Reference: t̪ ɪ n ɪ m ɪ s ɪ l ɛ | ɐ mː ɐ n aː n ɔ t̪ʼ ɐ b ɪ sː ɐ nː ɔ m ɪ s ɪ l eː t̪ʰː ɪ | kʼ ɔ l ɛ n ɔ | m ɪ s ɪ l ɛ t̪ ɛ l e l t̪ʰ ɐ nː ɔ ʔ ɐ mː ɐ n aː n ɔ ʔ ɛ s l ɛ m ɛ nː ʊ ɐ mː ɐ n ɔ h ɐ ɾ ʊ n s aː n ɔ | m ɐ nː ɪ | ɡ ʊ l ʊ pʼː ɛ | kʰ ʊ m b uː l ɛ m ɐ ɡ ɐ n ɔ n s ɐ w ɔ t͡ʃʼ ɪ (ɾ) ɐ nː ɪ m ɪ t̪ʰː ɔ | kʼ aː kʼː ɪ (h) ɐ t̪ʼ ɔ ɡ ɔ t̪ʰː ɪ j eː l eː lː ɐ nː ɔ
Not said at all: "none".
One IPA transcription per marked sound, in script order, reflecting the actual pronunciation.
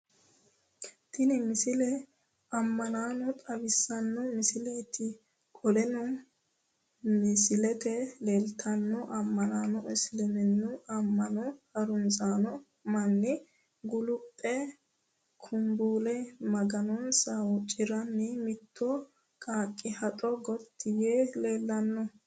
ɾ, h

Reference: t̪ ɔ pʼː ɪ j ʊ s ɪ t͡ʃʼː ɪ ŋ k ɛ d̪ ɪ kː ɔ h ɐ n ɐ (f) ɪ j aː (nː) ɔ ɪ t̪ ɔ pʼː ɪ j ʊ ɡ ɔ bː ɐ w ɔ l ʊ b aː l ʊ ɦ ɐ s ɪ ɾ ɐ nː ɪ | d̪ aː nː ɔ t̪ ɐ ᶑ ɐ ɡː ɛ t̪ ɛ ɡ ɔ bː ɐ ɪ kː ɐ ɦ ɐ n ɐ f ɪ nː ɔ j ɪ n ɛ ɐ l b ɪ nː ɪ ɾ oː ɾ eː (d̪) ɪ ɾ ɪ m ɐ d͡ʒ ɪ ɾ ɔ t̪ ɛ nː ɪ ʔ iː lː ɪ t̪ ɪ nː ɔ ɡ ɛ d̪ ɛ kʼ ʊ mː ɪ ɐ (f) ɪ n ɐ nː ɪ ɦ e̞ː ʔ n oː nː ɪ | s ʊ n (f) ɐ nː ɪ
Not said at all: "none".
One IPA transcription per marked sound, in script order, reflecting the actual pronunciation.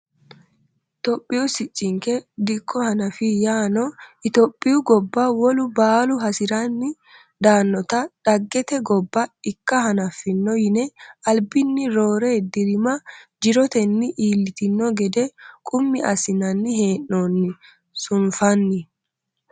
f, n, d̪, s, f

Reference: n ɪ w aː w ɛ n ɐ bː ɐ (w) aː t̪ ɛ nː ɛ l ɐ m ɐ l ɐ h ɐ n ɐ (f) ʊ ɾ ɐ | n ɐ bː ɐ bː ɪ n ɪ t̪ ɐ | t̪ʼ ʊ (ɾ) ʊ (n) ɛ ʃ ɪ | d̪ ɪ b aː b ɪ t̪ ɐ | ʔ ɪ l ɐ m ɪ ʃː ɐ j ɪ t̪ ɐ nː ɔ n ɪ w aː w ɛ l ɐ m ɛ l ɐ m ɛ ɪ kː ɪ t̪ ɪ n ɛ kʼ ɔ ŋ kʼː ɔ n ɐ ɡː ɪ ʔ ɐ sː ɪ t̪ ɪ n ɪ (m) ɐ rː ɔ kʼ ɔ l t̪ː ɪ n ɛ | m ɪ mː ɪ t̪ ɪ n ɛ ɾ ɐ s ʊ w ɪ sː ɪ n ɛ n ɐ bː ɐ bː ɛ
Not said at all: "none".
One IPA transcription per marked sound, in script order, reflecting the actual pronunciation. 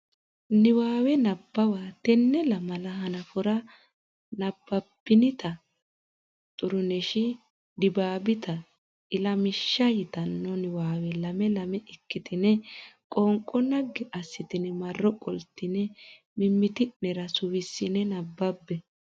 w, f, ɾ, n, m

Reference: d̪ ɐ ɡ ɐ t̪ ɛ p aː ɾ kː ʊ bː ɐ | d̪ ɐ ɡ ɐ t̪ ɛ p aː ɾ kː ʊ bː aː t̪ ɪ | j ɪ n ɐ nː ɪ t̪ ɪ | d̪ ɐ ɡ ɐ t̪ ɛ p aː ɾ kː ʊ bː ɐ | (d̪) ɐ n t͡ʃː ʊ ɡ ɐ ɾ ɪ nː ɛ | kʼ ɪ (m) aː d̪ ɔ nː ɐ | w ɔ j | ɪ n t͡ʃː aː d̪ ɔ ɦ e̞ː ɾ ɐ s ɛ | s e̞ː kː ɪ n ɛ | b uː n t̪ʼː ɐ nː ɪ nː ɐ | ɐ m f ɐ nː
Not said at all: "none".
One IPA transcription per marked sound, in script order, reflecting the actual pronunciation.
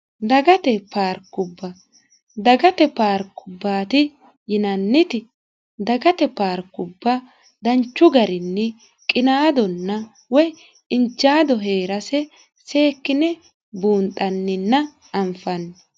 d̪, n

